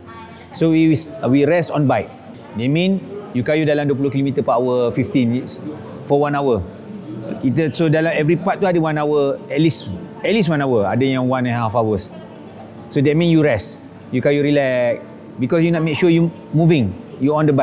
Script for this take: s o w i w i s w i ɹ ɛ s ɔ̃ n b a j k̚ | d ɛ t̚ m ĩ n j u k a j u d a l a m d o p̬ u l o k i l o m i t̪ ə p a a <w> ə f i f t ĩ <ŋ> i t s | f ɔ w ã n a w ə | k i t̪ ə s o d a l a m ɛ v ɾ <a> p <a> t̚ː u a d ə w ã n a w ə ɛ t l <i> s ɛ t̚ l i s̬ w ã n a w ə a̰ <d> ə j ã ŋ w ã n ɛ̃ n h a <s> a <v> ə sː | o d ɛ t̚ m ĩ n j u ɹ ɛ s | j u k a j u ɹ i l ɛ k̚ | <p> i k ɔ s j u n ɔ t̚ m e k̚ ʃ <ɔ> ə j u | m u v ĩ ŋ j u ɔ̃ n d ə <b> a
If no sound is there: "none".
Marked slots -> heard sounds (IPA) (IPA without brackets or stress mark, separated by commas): w, n, i, a, i, d, f, w, b, u, b